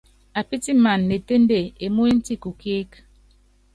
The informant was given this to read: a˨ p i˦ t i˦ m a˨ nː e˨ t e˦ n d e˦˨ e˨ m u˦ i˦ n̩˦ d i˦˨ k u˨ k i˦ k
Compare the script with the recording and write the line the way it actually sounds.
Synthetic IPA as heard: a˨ p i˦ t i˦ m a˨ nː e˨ t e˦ n d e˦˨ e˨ m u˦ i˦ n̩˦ t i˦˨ k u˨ k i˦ k